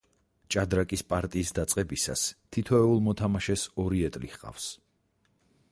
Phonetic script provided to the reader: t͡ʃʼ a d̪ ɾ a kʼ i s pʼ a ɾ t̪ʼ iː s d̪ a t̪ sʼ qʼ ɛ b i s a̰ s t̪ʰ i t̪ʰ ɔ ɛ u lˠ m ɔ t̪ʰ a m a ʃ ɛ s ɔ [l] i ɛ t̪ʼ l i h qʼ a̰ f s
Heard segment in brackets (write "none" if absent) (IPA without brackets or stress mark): ɾ